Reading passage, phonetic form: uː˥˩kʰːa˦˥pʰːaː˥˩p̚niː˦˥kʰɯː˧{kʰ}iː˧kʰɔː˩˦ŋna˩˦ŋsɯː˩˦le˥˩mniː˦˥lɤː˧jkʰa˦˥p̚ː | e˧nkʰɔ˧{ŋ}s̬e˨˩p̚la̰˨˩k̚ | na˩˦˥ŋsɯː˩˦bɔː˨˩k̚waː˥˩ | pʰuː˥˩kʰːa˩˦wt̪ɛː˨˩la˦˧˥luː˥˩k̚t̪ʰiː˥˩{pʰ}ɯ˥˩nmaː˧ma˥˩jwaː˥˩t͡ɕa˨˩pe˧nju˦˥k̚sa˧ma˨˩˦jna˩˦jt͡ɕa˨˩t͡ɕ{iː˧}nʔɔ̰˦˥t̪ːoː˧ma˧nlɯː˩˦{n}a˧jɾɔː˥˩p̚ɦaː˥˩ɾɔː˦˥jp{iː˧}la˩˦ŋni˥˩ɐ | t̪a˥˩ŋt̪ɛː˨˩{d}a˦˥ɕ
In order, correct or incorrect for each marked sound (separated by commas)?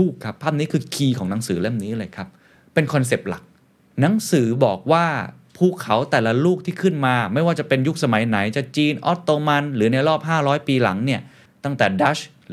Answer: correct, incorrect, incorrect, correct, correct, correct, correct